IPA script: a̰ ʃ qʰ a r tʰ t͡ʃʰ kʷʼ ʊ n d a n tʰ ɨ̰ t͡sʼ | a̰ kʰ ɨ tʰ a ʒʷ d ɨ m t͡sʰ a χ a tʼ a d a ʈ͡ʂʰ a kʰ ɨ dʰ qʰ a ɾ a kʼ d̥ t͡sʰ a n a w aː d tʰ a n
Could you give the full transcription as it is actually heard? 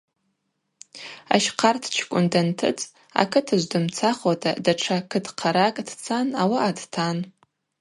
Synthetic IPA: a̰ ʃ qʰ a r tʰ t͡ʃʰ kʷʼ ʊ n d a n tʰ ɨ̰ t͡sʼ | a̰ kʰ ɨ tʰ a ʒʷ d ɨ m t͡sʰ a χ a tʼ a d a ʈ͡ʂʰ a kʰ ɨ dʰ qʰ a ɾ a kʼ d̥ t͡sʰ a n a w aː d tʰ a n